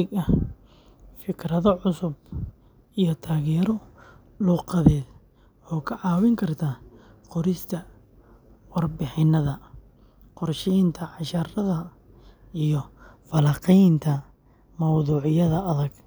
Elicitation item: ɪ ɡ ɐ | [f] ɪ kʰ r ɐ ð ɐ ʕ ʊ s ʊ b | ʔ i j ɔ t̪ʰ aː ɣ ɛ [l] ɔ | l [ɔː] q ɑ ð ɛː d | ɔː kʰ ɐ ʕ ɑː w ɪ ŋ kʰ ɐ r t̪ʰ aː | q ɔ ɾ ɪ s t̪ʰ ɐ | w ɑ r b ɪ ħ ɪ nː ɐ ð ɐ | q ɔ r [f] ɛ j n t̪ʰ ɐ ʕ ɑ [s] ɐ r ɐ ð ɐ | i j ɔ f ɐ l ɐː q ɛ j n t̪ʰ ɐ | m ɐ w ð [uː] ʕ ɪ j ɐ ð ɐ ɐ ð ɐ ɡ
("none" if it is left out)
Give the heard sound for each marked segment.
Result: f, ɾ, uː, ʃ, ʃ, uː

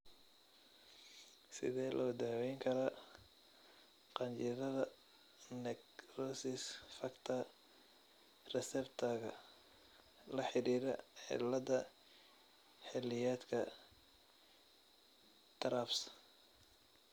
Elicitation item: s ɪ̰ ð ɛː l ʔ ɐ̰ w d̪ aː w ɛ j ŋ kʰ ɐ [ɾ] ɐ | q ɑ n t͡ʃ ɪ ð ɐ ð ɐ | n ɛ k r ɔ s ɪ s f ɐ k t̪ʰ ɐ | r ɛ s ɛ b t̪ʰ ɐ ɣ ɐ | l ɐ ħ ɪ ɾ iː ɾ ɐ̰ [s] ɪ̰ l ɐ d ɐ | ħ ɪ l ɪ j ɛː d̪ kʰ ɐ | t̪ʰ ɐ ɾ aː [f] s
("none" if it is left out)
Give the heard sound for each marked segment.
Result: ɾ, ħ, f

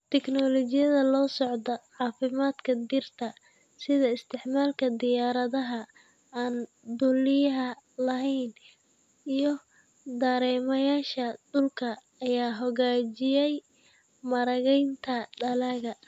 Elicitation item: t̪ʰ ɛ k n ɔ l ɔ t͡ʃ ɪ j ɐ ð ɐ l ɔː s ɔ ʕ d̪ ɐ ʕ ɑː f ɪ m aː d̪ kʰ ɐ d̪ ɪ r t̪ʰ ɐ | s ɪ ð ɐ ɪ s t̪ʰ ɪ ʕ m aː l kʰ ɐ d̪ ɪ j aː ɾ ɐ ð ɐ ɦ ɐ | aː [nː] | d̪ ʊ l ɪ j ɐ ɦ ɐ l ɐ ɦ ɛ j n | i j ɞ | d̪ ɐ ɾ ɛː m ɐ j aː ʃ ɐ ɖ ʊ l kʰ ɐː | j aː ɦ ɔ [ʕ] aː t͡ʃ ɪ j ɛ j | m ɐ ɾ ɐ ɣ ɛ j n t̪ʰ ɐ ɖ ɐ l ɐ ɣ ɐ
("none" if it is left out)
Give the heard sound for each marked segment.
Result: n, ɣ

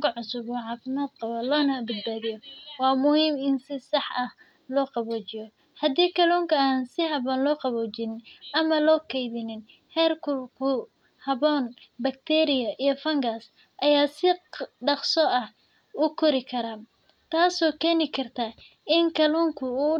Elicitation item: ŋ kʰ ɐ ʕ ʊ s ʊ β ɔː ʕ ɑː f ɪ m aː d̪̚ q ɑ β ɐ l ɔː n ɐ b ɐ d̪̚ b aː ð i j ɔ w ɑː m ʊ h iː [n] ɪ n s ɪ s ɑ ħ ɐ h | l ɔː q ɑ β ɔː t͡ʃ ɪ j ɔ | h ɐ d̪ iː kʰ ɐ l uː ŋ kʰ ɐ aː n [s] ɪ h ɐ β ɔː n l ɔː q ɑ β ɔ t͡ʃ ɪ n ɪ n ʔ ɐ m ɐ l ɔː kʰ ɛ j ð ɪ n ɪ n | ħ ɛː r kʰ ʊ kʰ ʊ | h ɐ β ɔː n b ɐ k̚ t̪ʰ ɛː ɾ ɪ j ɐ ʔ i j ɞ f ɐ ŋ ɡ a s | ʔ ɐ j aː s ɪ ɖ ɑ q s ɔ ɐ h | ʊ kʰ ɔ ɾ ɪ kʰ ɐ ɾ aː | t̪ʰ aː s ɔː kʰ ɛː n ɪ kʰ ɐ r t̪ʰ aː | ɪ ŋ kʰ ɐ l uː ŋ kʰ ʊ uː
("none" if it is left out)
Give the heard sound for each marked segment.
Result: m, s

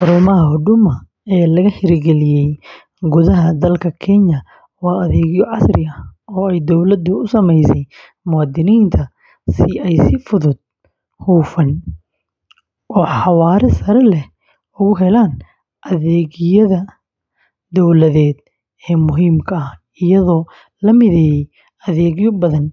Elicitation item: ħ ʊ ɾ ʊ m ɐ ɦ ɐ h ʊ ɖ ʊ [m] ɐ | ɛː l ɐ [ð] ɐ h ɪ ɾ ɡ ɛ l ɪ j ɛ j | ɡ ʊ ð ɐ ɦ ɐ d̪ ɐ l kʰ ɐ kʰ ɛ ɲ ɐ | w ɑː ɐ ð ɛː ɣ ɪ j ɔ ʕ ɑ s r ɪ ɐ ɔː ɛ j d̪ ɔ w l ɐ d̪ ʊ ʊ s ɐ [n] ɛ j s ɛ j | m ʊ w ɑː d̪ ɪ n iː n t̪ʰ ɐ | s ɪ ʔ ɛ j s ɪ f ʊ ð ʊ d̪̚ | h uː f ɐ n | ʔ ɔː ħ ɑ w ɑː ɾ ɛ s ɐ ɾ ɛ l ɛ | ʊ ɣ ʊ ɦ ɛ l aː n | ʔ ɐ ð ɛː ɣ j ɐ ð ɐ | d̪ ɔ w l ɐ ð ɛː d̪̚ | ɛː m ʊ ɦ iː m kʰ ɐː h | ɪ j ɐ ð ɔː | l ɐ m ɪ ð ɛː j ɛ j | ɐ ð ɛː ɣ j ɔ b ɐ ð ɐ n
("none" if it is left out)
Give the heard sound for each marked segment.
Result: m, ɣ, m

